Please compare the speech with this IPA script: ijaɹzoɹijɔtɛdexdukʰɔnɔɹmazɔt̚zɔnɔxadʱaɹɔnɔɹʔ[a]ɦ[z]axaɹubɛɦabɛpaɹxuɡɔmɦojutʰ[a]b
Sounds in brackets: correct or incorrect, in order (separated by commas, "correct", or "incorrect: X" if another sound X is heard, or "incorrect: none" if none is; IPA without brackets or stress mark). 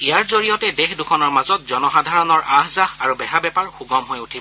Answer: correct, correct, incorrect: i